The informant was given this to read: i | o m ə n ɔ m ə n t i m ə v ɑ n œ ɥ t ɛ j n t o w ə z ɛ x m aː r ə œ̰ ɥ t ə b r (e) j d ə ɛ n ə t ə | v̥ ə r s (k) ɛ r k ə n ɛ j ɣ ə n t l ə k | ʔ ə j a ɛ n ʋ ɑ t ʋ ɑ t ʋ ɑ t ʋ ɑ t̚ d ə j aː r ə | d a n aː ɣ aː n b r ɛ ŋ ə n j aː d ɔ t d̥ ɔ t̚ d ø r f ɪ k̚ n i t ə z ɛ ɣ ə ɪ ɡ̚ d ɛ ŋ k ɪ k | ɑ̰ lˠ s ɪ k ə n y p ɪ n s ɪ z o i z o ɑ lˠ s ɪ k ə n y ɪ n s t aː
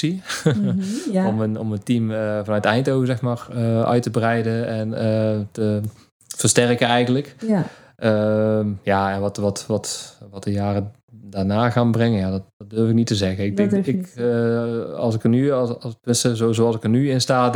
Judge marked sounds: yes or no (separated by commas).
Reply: no, no